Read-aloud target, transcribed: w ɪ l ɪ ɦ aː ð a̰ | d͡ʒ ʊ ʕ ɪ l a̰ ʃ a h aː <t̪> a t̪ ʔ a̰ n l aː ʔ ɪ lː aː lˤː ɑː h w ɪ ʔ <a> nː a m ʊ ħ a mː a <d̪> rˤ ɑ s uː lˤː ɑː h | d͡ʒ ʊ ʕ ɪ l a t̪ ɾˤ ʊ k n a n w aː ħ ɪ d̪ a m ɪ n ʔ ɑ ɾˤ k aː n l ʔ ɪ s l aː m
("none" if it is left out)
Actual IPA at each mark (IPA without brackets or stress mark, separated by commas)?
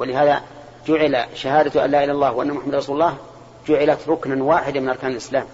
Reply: d̪, a, d̪